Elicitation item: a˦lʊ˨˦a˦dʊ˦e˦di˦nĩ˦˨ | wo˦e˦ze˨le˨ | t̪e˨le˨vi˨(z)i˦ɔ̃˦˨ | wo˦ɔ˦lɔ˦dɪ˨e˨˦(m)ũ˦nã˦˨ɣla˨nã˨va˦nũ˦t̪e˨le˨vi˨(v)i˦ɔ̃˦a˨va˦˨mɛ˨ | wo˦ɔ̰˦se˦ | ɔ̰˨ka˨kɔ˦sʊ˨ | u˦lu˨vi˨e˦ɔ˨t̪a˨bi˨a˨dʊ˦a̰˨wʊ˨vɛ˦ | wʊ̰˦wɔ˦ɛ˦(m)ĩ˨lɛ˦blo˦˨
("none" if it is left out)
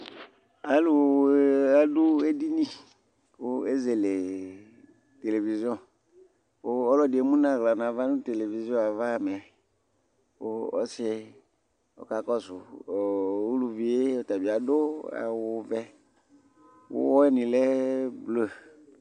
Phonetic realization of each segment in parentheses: z, m, z, n

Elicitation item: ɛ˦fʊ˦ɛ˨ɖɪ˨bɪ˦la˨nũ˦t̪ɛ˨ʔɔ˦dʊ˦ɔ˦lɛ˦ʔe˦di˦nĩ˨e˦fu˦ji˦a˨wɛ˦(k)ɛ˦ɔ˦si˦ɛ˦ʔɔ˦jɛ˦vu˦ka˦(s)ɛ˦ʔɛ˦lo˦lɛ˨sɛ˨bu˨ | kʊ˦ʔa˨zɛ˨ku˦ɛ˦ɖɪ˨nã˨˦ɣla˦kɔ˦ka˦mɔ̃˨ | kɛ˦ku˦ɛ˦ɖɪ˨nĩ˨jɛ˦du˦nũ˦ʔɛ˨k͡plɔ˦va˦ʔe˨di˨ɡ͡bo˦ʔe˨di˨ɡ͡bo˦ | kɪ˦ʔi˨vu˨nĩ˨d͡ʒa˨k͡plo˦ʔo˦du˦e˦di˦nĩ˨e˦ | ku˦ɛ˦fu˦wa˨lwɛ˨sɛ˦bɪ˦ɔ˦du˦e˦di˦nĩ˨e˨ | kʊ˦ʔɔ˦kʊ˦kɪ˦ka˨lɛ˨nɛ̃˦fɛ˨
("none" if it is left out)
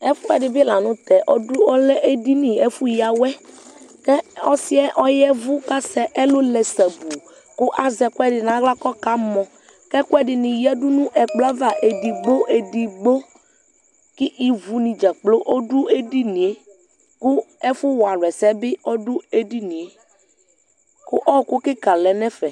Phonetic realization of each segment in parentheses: k, s

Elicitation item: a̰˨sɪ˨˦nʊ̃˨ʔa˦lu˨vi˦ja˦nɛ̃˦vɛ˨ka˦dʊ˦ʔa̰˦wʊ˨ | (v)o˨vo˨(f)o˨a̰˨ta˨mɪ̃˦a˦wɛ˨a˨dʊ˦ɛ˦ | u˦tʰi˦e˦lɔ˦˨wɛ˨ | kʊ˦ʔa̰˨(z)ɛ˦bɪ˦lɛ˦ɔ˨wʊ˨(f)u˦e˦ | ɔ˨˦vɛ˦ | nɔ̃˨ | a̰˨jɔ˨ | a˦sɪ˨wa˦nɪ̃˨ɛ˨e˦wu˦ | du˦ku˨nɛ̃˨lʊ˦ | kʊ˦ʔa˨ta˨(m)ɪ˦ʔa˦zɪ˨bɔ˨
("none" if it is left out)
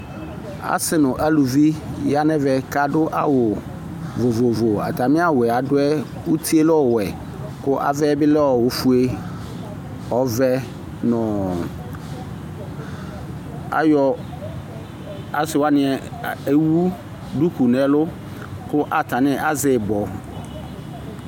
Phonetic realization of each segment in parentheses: v, v, v, f, n

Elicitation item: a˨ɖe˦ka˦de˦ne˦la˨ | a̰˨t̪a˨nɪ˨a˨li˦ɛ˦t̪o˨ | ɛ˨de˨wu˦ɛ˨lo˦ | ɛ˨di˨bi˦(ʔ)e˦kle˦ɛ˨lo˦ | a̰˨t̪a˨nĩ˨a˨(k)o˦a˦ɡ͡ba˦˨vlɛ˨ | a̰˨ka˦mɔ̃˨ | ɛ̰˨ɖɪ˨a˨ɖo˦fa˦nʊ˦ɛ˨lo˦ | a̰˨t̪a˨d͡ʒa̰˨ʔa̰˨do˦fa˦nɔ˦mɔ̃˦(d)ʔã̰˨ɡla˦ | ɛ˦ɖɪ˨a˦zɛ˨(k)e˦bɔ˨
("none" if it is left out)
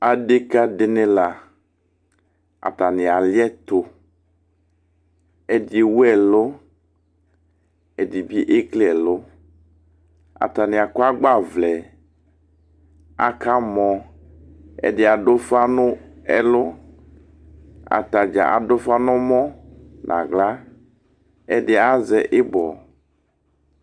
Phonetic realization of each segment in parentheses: ʔ, k, n, ʔ

